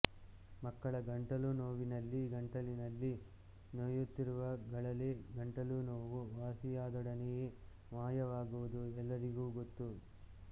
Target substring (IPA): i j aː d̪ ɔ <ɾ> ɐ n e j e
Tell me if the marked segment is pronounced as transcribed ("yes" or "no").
no